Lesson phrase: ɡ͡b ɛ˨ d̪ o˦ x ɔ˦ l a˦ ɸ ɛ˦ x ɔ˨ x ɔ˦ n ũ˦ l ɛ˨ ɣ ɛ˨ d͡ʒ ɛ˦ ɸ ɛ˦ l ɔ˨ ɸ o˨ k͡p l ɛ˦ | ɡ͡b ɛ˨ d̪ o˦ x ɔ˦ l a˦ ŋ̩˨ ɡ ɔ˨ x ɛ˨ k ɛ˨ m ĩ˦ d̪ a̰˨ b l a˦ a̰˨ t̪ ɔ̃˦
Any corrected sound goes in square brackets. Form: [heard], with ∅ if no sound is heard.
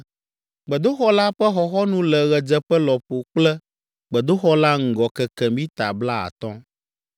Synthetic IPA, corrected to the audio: ɡ͡b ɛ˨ d̪ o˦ x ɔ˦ l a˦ ɸ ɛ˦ x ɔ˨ x ɔ˦ n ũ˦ l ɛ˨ ɣ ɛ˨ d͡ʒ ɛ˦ ɸ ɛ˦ l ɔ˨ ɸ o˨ k͡p l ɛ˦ | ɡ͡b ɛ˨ d̪ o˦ x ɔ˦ l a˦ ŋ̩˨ ɡ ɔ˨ [k] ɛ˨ k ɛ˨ m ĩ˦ [t̪] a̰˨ b l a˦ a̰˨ t̪ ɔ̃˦